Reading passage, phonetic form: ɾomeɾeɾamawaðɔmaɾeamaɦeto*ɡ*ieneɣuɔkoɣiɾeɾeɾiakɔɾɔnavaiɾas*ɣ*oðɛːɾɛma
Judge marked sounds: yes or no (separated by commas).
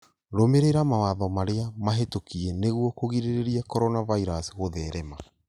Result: no, yes